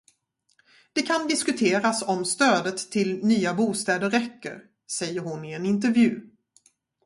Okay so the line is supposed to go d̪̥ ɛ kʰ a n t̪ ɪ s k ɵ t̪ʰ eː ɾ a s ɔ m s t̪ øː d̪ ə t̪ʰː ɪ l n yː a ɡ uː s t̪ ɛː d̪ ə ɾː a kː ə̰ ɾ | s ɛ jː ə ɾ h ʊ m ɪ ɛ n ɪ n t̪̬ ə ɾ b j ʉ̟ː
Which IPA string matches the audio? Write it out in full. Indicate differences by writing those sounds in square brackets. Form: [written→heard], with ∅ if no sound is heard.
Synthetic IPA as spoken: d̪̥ ɛ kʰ a n [t̪→d̪] ɪ s k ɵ t̪ʰ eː ɾ a s ɔ m s t̪ øː d̪ ə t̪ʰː ɪ l n yː a [ɡ→b] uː s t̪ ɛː d̪ ə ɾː [a→ɛ] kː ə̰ ɾ | s ɛ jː ə ɾ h ʊ [m→n] ɪ ɛ n ɪ n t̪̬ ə ɾ [b→v] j ʉ̟ː